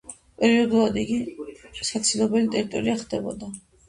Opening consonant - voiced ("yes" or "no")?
no